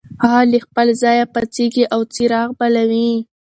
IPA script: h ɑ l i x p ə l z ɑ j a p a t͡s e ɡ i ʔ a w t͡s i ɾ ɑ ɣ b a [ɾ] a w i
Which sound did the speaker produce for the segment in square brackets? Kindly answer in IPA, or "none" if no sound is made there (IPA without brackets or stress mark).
l